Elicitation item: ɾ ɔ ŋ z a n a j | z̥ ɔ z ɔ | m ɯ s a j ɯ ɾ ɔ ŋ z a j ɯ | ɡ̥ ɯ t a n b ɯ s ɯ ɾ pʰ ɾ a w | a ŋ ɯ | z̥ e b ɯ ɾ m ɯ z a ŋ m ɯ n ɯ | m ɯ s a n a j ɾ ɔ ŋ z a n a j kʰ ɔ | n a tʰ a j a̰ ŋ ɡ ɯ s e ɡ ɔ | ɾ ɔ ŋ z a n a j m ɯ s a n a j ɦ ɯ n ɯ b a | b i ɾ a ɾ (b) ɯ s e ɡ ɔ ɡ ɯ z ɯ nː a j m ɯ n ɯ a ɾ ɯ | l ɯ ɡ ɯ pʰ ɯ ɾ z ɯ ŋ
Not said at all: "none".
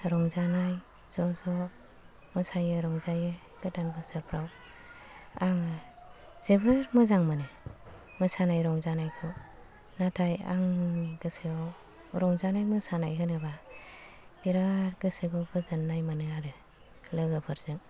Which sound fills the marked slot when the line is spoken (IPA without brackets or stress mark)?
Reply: ɡ